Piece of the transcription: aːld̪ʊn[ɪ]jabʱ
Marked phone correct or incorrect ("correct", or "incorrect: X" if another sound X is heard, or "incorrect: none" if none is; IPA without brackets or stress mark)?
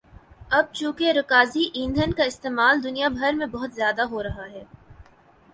incorrect: i